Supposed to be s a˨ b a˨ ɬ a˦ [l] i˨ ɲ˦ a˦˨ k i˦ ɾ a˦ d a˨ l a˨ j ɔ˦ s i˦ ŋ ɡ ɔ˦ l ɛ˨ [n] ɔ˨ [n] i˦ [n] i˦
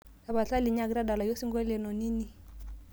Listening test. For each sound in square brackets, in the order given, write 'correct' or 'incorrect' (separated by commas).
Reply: correct, correct, correct, correct